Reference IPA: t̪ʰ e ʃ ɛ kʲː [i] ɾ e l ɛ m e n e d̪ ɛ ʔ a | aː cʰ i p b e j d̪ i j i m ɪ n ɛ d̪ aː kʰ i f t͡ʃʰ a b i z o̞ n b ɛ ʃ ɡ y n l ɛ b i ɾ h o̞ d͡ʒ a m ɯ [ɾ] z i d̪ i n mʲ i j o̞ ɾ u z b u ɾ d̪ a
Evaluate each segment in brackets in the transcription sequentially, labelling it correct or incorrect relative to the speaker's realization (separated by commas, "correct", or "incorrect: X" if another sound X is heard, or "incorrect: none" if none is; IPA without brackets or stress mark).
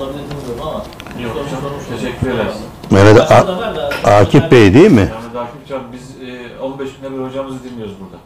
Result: incorrect: y, incorrect: none